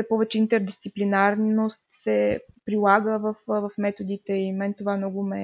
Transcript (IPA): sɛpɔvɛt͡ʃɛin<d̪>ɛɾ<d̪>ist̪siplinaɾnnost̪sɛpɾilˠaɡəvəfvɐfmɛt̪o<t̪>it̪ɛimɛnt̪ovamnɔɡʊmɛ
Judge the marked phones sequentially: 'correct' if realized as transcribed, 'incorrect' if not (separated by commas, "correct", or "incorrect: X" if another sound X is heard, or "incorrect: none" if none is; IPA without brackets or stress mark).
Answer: incorrect: t̪, correct, incorrect: d̪